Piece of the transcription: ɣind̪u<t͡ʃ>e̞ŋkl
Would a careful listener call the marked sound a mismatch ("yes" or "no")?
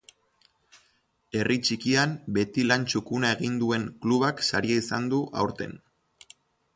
yes